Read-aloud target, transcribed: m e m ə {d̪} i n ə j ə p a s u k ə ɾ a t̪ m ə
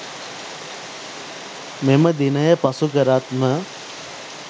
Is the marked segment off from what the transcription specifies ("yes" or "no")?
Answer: no